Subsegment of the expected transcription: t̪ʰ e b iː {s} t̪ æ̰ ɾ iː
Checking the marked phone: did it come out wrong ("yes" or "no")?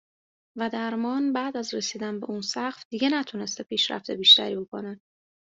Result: yes